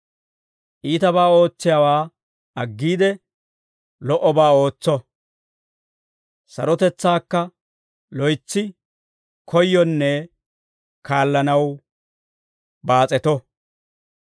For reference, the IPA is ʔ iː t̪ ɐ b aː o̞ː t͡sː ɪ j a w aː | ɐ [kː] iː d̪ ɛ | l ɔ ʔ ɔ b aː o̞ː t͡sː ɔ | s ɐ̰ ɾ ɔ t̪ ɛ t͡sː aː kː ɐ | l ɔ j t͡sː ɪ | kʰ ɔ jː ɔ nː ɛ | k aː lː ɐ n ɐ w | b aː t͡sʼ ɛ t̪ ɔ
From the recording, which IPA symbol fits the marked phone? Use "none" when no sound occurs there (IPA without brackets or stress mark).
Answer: ɡː